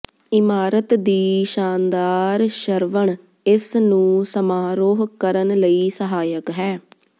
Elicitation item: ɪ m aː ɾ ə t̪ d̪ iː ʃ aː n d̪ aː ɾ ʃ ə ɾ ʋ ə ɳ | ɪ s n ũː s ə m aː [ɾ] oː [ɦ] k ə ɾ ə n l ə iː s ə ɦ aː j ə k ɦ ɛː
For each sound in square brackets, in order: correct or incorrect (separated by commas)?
correct, correct